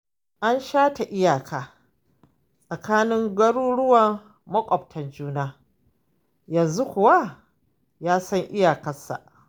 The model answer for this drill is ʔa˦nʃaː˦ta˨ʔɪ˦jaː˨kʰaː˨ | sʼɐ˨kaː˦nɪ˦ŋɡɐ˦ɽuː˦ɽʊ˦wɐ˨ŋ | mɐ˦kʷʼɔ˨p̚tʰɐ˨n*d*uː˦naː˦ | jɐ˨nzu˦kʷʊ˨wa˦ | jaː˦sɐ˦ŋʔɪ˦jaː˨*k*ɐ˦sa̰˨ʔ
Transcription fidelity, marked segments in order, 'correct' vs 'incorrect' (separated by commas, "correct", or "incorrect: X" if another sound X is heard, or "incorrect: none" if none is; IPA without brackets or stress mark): incorrect: d͡ʒ, correct